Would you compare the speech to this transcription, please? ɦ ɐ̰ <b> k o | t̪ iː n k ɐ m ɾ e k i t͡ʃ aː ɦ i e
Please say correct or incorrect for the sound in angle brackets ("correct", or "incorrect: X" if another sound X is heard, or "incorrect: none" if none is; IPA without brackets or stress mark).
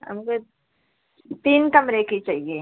incorrect: m